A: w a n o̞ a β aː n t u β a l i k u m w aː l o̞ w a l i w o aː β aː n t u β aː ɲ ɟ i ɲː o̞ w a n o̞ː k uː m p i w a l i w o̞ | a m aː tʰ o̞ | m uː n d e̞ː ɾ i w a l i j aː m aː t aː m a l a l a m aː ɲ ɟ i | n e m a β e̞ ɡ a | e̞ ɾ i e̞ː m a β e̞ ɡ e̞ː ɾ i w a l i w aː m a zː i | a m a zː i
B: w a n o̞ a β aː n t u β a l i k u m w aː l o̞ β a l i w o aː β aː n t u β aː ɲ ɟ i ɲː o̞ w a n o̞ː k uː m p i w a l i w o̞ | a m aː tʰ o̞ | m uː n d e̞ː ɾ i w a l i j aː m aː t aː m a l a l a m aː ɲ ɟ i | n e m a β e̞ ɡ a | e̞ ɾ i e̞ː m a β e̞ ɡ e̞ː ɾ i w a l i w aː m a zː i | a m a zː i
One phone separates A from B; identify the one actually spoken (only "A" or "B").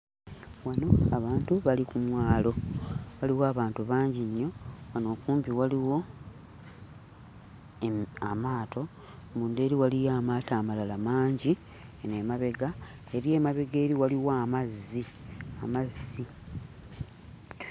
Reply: B